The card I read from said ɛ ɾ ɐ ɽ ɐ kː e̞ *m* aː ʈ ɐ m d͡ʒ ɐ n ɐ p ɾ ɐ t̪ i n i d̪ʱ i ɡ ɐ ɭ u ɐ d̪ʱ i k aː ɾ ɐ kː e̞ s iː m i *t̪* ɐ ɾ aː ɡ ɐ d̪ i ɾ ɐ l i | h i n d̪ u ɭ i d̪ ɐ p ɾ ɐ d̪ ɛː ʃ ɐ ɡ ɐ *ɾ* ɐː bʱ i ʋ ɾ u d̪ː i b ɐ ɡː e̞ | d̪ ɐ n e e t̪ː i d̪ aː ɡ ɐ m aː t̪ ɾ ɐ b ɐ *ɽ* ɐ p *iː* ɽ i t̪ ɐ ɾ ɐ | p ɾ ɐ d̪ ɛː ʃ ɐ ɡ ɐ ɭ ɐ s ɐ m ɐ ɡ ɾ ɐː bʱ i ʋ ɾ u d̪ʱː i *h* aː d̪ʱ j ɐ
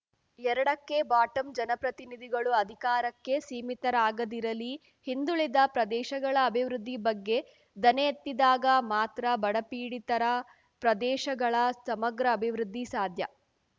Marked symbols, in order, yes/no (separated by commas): no, yes, no, yes, yes, no